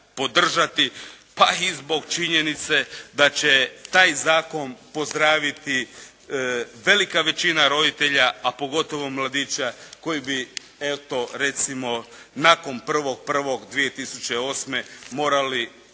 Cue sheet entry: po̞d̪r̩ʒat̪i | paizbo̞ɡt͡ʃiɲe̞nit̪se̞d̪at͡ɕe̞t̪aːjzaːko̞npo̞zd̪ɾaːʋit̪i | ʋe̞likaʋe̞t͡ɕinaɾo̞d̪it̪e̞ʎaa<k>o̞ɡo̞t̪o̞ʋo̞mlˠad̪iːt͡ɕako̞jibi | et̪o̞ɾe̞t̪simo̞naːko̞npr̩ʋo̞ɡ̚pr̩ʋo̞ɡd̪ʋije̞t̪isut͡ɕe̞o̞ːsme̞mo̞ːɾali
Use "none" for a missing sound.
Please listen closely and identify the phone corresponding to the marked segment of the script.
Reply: p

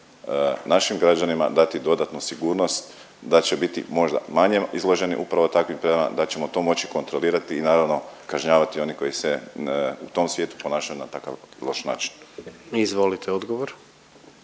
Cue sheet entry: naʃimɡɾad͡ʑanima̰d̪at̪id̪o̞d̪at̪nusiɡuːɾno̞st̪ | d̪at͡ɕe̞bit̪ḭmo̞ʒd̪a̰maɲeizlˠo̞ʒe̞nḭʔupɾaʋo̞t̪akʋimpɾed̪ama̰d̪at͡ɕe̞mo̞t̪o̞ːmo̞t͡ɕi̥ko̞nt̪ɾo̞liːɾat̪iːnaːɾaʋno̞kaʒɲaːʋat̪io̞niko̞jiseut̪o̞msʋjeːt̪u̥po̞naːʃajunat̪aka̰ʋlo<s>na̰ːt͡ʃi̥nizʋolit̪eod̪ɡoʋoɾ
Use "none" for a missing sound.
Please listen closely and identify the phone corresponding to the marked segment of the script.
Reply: ʃ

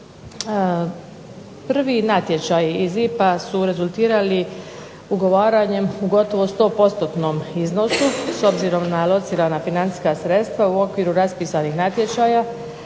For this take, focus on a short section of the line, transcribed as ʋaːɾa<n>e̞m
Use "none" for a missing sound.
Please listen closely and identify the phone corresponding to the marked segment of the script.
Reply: ɲ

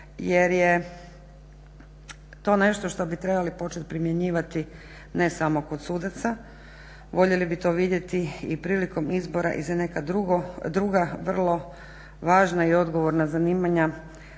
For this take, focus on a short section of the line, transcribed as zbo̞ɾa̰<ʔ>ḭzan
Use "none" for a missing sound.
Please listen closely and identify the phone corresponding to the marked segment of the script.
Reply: ʔ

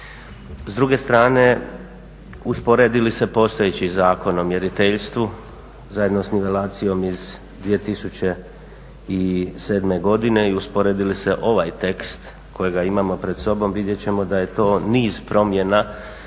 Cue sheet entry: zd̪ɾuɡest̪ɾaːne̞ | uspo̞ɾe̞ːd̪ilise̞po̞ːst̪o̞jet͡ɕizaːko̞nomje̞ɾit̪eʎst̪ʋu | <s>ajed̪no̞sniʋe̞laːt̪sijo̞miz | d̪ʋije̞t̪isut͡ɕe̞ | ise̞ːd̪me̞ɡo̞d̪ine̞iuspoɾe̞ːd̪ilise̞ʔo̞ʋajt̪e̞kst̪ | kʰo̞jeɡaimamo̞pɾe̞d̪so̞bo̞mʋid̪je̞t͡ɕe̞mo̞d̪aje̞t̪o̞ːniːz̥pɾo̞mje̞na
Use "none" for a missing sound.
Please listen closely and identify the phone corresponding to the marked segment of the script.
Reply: z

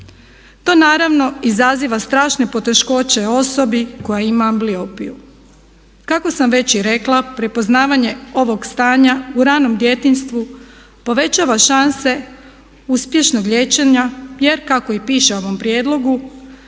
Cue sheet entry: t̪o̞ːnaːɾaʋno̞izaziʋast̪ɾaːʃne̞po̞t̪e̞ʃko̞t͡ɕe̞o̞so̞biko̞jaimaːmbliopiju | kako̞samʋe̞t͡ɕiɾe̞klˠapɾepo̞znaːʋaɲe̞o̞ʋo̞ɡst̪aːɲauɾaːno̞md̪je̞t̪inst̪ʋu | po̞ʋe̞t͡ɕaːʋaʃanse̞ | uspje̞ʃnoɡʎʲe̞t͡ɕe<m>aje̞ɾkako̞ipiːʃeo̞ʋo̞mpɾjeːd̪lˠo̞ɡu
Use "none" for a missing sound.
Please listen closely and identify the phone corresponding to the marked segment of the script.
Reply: ɲ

